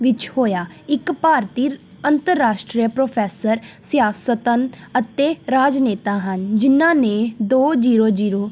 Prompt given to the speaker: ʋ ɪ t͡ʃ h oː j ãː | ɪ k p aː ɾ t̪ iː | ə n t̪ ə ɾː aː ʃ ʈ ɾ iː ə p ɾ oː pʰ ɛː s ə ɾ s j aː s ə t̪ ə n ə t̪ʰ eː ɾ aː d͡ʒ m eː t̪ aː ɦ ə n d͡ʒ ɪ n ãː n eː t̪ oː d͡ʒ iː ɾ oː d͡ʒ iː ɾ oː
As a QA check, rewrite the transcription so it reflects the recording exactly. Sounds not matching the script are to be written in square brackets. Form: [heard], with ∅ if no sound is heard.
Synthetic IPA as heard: ʋ ɪ t͡ʃ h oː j [aː] | ɪ k p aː ɾ t̪ iː | ə n t̪ ə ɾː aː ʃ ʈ ɾ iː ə p ɾ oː pʰ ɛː s ə ɾ s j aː s ə t̪ ə n ə [t̪] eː ɾ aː d͡ʒ [n] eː t̪ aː ɦ ə n d͡ʒ ɪ n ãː n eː [d̪] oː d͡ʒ iː ɾ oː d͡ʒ iː ɾ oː